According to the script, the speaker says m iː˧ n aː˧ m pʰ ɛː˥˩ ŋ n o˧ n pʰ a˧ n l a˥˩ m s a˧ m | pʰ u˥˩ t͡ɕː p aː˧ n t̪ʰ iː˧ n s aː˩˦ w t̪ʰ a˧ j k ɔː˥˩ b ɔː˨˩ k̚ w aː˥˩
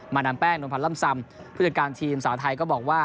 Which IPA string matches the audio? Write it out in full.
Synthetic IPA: m aː˧ n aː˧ m p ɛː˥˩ ŋ n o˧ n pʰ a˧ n l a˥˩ m s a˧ m | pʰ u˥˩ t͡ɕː k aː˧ n t̪ʰ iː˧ m s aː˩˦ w t̪ʰ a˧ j k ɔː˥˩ b ɔː˨˩ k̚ w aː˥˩

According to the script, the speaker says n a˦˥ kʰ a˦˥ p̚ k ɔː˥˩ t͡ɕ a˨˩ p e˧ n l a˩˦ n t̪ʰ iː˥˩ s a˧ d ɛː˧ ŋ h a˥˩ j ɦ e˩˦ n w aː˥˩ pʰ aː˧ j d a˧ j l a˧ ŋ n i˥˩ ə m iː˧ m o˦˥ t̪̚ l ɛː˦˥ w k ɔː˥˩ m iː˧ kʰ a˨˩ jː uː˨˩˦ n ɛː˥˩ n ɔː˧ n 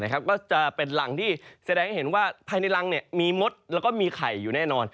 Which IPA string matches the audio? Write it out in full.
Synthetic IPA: n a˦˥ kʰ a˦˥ p̚ k ɔː˥˩ t͡ɕ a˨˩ p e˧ n l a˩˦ ŋ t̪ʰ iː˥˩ s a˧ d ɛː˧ ŋ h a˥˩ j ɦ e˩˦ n w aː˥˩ pʰ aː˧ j n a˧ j l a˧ ŋ n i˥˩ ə m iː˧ m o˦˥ t̪̚ l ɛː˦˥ w k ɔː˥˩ m iː˧ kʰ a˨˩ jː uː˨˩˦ n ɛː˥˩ n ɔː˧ n

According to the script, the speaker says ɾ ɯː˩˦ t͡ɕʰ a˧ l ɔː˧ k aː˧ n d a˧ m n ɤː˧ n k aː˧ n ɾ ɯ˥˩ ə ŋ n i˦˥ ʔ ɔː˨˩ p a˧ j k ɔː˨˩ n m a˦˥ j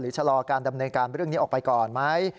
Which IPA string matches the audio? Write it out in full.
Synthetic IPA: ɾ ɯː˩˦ t͡ɕʰ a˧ l ɔː˧ k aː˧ n d a˧ m n ɤː˧ n k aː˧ n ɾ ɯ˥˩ ə ŋ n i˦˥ ʔ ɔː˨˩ p a˧ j k ɔː˨˩ n m a˦˥ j

